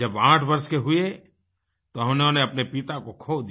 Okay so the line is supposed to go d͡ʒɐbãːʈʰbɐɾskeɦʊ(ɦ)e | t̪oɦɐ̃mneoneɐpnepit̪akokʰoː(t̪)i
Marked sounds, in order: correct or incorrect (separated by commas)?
incorrect, incorrect